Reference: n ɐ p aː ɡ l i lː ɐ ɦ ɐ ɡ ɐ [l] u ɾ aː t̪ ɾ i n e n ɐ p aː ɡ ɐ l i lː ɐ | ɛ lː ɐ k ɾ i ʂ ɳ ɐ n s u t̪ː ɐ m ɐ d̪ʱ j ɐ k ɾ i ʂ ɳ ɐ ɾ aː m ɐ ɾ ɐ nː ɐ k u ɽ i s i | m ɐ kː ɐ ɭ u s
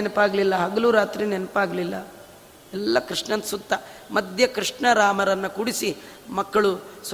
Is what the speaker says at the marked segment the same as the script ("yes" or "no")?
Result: yes